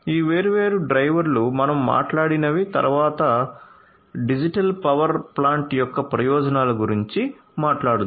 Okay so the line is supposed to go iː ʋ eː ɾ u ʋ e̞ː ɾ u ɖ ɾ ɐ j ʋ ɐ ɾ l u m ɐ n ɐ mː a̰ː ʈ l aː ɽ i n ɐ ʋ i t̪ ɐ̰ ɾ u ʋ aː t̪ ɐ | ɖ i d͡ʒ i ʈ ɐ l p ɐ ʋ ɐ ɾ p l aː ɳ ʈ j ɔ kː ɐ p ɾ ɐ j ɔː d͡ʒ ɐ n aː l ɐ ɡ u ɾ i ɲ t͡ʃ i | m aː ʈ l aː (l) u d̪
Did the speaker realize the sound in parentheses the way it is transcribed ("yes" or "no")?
no